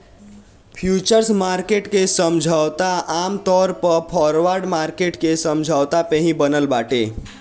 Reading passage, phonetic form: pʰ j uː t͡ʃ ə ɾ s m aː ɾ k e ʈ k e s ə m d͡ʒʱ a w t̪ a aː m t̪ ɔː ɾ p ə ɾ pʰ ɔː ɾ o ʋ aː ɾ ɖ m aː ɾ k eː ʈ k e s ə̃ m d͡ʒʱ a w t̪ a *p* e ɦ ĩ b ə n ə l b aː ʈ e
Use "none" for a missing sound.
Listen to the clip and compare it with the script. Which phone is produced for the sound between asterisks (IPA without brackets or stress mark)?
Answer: p